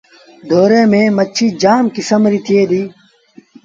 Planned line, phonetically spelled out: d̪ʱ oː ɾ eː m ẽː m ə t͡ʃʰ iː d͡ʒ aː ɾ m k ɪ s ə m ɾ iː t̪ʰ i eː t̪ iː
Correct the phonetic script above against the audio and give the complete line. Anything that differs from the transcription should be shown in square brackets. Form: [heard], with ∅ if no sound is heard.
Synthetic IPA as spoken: d̪ʱ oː ɾ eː m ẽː m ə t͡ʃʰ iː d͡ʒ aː [∅] m k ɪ s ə m ɾ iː t̪ʰ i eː [d̪] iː